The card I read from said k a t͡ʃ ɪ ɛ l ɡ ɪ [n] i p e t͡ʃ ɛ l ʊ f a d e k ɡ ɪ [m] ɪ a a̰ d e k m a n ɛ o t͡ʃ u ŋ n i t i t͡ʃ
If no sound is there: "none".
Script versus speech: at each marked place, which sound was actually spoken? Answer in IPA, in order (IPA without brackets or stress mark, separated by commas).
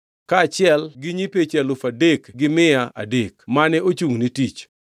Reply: ɲ, m